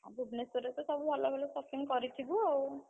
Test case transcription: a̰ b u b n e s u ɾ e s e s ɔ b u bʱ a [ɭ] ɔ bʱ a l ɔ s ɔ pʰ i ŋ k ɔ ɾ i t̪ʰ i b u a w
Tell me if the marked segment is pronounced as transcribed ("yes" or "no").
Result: no